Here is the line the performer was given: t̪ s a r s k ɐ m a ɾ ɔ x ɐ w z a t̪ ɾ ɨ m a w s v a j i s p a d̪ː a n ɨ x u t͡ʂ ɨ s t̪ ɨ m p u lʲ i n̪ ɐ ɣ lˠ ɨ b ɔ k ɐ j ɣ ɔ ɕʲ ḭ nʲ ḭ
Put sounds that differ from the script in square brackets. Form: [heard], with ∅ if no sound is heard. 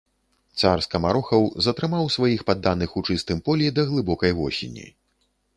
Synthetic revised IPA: t̪ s a r s k ɐ m a ɾ ɔ x ɐ w z [ɐ] t̪ ɾ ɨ m a w s v a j i [x] p a d̪ː a n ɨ x u t͡ʂ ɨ s t̪ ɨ m p [ɔ] lʲ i [d̪] ɐ ɣ lˠ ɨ b ɔ k ɐ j ɣ ɔ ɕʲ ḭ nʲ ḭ

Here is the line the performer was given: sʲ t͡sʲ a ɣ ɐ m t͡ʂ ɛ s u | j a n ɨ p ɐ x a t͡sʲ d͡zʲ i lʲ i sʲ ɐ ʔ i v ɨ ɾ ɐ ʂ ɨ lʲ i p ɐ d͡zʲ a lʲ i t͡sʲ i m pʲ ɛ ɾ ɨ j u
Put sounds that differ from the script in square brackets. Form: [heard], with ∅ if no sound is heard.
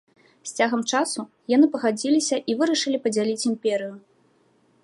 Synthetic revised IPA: sʲ t͡sʲ a ɣ ɐ m t͡ʂ [a] s u | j a n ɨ p ɐ [ɣ] a [∅] d͡zʲ i lʲ i sʲ ɐ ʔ i v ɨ ɾ ɐ ʂ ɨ lʲ i p ɐ d͡zʲ a lʲ i t͡sʲ i m pʲ ɛ ɾ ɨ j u

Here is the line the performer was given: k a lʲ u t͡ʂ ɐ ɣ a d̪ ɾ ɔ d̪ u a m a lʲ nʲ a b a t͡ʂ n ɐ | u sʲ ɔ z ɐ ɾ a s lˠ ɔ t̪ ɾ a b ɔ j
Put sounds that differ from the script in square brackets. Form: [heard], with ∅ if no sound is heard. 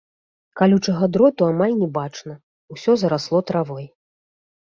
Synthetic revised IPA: k a lʲ u t͡ʂ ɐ ɣ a d̪ ɾ ɔ [t̪] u a m a lʲ nʲ [ɛ] b a t͡ʂ n ɐ | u sʲ ɔ z ɐ ɾ a s lˠ ɔ t̪ ɾ a [v] ɔ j

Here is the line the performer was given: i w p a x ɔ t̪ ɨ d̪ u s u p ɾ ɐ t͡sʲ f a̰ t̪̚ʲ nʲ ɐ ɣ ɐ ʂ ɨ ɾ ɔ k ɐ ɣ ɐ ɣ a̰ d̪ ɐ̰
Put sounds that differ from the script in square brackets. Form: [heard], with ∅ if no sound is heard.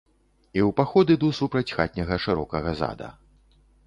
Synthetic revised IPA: i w p a x ɔ [d̪] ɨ d̪ u s u p ɾ ɐ t͡sʲ [x] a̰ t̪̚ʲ nʲ ɐ ɣ ɐ ʂ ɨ ɾ ɔ k ɐ ɣ ɐ [z] a̰ d̪ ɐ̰

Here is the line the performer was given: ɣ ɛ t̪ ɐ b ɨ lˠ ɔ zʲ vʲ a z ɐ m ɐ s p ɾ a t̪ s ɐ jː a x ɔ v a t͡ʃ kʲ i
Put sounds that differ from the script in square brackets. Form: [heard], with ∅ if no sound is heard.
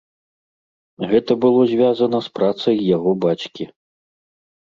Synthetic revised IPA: ɣ ɛ t̪ ɐ b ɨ lˠ ɔ zʲ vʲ a z ɐ [n] ɐ s p ɾ a t̪ s ɐ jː a [ɣ] ɔ [b] a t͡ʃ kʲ i

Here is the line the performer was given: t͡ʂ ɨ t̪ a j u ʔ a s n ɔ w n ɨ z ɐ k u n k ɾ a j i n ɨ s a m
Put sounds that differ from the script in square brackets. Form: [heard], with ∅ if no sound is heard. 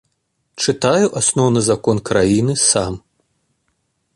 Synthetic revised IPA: t͡ʂ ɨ t̪ a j u ʔ a s n ɔ w n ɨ z [a] k [ɔ] n k ɾ a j i n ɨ s a m

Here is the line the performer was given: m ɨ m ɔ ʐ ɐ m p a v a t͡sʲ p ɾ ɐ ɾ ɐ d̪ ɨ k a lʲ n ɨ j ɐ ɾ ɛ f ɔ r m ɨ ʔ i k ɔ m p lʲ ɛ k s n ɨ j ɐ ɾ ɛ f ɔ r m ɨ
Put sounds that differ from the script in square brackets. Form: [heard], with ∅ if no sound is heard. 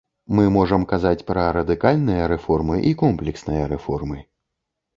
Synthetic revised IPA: m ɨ m ɔ ʐ ɐ m [k] a [z] a t͡sʲ p ɾ ɐ ɾ ɐ d̪ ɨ k a lʲ n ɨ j ɐ ɾ ɛ f ɔ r m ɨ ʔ i k ɔ m p lʲ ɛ k s n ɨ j ɐ ɾ ɛ f ɔ r m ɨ

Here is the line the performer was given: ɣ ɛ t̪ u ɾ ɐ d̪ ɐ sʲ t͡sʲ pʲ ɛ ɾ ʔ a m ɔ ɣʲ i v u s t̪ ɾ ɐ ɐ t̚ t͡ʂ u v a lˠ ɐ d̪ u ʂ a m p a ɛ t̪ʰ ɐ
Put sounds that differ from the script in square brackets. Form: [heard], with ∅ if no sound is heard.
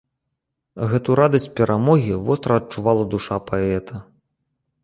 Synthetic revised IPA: ɣ ɛ t̪ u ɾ [a] d̪ ɐ sʲ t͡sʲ pʲ ɛ ɾ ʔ a m ɔ ɣʲ i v [ɔ] s t̪ ɾ ɐ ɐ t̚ t͡ʂ u v a lˠ ɐ d̪ u ʂ a [∅] p a ɛ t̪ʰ ɐ

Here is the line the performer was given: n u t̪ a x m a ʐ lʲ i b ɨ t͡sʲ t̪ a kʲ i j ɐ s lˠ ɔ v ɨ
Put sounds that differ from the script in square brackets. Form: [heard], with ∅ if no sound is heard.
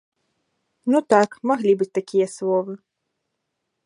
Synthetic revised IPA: n u t̪ a [k] m a [ɣ] lʲ i b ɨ t͡sʲ t̪ a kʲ i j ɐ s lˠ ɔ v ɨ

